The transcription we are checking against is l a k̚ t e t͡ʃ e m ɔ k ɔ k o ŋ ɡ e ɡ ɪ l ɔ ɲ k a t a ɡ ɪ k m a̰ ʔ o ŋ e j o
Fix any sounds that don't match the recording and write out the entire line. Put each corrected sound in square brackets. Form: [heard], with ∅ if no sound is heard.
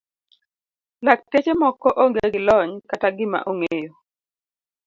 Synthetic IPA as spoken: l a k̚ t e t͡ʃ e m ɔ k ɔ [ʔ] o ŋ ɡ e ɡ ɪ l ɔ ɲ k a t a ɡ ɪ [∅] m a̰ ʔ o ŋ e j o